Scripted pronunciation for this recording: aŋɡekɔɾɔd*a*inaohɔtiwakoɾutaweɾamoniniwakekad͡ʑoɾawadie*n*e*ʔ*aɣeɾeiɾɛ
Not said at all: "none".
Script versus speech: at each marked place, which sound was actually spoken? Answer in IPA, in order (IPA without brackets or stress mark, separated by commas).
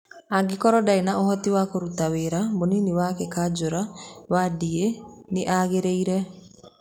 a, n, ʔ